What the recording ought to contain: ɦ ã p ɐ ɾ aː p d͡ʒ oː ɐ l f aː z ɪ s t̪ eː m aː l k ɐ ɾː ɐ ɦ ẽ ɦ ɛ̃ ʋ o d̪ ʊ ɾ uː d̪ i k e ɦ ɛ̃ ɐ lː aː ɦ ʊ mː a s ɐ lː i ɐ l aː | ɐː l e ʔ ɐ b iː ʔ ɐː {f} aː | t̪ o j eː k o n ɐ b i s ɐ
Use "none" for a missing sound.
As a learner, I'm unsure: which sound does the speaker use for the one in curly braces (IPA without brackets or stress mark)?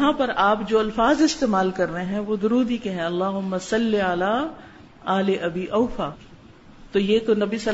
f